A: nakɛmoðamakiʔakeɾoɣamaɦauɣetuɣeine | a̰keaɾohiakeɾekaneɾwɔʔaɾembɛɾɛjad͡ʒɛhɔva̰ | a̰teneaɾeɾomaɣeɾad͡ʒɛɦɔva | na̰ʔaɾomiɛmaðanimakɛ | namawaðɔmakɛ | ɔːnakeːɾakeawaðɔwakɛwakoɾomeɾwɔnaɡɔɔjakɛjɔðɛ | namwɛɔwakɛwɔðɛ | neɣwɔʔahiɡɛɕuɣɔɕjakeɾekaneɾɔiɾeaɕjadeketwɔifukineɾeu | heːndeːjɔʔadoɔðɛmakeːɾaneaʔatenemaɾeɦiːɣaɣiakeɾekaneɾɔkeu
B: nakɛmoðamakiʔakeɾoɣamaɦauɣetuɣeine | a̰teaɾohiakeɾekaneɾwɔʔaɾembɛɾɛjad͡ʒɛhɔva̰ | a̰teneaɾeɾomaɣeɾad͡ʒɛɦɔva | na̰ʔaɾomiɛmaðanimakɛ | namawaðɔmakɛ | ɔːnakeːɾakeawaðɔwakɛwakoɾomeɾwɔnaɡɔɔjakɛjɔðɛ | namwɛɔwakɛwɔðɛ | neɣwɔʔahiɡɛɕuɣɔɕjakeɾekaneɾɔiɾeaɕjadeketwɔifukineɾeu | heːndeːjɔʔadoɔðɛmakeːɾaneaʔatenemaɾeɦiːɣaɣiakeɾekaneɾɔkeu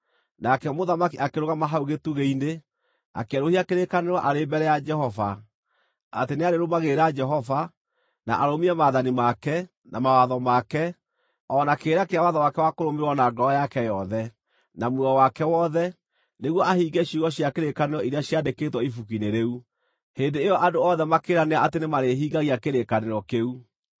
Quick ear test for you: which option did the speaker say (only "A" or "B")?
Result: A